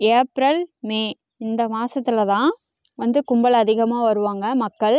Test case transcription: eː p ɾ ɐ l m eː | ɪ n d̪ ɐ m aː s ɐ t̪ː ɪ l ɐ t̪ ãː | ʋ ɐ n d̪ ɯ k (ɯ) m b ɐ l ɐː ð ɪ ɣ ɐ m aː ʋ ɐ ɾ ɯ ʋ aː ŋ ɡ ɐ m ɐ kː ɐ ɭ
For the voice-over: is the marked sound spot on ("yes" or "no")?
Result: no